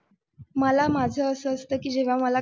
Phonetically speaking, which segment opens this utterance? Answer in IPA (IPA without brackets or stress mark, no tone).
m